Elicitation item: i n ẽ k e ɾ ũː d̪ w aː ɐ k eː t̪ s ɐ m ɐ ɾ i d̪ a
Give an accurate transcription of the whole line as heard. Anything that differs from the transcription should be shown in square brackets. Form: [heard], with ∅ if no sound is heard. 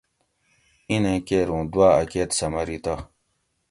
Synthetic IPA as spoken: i n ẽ k e ɾ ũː d̪ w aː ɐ k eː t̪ s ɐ m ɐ ɾ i [t̪] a